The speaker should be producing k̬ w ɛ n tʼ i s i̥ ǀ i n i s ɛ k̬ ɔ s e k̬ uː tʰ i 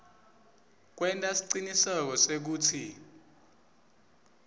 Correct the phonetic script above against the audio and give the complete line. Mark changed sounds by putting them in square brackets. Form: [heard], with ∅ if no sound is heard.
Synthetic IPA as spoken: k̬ w ɛ n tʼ [a] s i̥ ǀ i n i s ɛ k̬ ɔ s e k̬ uː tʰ i